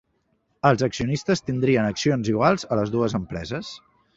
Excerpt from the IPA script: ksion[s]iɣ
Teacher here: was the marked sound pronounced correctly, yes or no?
no